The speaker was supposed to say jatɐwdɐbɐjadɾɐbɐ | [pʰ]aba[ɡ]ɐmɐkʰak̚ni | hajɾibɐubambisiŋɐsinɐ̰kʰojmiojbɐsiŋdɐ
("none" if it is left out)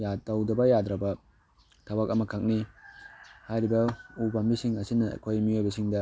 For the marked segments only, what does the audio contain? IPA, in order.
tʰ, k

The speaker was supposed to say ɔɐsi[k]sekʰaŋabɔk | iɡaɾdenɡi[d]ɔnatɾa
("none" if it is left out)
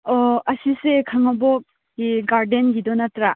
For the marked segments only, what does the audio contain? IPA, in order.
none, d

